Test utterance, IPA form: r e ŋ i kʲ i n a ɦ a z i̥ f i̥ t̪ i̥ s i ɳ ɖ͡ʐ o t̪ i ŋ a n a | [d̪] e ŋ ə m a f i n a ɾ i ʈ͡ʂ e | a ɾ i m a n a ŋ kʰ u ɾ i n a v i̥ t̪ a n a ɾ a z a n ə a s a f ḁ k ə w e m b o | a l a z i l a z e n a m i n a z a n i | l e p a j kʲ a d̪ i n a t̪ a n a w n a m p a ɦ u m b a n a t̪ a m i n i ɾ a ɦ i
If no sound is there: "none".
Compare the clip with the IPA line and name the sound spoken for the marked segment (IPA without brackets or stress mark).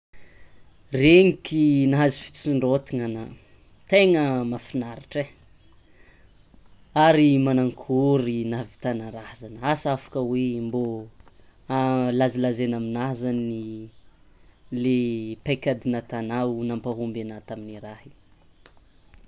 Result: t̪